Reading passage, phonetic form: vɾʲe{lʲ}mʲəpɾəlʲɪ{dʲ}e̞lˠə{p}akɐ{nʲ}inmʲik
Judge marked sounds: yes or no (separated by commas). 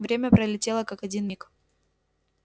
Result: no, no, no, no